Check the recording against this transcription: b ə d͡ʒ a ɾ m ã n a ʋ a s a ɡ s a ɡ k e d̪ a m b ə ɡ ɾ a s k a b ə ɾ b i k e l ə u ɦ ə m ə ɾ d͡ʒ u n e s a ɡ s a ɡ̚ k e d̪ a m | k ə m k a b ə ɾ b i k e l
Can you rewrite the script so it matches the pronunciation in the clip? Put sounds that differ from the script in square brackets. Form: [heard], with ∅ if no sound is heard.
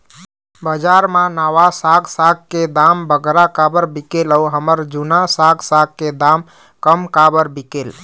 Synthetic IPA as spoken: b ə d͡ʒ a ɾ m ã n a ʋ a s a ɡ s a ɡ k e d̪ a m b ə ɡ ɾ a [∅] k a b ə ɾ b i k e l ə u ɦ ə m ə ɾ d͡ʒ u n [a] s a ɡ s a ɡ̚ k e d̪ a m | k ə m k a b ə ɾ b i k e l

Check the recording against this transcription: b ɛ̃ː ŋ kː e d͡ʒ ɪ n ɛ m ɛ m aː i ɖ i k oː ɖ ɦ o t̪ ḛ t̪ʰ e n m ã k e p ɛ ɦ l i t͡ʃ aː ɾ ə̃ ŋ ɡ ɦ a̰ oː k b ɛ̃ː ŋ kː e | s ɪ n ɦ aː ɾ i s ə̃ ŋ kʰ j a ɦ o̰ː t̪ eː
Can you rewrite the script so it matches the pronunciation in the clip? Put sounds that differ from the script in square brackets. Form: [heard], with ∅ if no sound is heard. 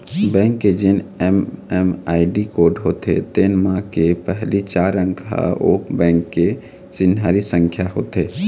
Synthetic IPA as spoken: b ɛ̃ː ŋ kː e d͡ʒ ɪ n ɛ m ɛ m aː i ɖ i k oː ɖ ɦ o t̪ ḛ [t̪] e n m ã k e p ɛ ɦ l i t͡ʃ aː ɾ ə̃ ŋ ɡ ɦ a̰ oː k b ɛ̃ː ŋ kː e | s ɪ n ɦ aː ɾ i s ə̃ ŋ kʰ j a ɦ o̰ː t̪ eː

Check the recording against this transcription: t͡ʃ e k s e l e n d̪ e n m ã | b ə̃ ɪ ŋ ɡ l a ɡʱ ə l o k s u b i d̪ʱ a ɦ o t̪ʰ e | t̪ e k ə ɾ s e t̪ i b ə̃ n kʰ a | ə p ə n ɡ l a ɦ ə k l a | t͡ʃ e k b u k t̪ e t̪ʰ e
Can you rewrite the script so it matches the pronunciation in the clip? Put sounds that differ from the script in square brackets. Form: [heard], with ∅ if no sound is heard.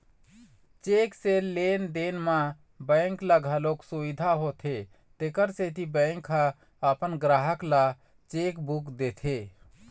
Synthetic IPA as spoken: t͡ʃ e k s e l e n d̪ e n m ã | b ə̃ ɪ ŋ [k] l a ɡʱ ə l o k s u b i d̪ʱ a ɦ o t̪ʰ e | t̪ e k ə ɾ s e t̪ i b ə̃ [ŋ] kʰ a | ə p ə n ɡ [ɾ] a ɦ ə k l a | t͡ʃ e k b u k [d̪] e t̪ʰ e

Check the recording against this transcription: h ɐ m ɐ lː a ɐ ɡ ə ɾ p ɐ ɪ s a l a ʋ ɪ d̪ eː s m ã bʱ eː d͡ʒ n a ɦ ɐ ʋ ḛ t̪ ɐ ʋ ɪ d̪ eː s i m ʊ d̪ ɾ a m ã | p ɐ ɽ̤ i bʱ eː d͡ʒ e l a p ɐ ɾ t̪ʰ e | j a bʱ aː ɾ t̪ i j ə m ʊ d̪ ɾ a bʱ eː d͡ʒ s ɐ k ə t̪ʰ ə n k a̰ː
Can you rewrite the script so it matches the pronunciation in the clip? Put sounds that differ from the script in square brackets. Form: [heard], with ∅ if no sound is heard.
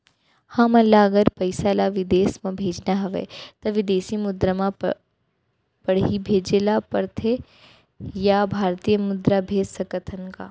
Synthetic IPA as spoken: h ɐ m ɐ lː a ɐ ɡ ə ɾ p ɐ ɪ s a l a ʋ ɪ d̪ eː s m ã bʱ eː d͡ʒ n a ɦ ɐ ʋ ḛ t̪ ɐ ʋ ɪ d̪ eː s i m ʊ d̪ ɾ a m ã | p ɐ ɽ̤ i bʱ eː d͡ʒ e l a p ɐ ɾ t̪ʰ e | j a bʱ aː ɾ t̪ i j ə m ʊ d̪ ɾ a bʱ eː d͡ʒ s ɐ k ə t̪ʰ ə n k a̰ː

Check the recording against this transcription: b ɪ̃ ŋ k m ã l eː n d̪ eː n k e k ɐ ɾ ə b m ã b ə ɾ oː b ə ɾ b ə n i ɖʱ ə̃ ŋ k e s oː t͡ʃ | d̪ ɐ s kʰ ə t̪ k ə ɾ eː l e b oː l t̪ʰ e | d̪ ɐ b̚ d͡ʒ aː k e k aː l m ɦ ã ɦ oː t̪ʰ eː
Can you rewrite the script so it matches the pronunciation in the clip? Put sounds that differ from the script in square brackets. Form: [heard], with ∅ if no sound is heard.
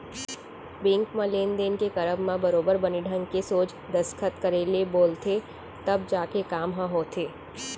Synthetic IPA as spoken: b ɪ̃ ŋ k m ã l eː n d̪ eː n k e k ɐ ɾ ə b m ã b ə ɾ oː b ə ɾ b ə n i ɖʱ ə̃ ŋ k e s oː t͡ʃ | d̪ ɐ s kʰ ə t̪ k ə ɾ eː l e b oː l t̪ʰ e | [t̪] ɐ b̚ d͡ʒ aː k e k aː [∅] m ɦ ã ɦ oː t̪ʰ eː

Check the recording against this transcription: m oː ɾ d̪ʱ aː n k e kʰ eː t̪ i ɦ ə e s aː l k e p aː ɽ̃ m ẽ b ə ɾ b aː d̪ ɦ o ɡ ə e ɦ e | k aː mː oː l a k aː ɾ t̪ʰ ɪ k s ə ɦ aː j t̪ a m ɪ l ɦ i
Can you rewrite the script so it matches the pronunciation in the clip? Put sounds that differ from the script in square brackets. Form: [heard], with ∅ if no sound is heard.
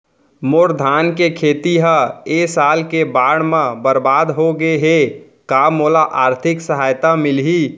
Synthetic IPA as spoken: m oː ɾ d̪ʱ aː n k e kʰ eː t̪ i ɦ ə e s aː l k e [b] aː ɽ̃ m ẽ b ə ɾ b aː d̪ ɦ o ɡ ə e ɦ e | k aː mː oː l a [ʔ] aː ɾ t̪ʰ ɪ k s ə ɦ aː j t̪ a m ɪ l ɦ i

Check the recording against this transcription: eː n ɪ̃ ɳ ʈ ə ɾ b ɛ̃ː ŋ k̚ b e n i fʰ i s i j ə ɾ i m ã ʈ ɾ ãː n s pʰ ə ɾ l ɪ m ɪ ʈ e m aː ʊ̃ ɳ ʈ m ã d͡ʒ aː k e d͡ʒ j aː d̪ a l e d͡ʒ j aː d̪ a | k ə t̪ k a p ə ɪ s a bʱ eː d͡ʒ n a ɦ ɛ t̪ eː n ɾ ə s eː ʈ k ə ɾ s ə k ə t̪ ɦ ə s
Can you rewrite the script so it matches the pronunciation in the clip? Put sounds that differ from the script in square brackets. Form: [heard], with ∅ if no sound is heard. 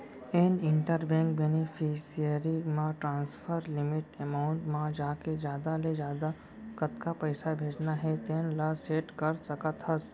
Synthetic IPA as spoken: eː n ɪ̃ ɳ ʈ ə ɾ b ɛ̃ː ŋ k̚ b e n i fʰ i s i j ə ɾ i m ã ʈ ɾ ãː n s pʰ ə ɾ l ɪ m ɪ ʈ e m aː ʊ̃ ɳ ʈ m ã d͡ʒ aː k e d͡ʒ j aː d̪ a l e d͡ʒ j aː d̪ a | k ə t̪ k a p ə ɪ s a bʱ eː d͡ʒ n a ɦ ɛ t̪ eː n [l] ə s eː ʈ k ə ɾ s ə k ə t̪ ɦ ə s

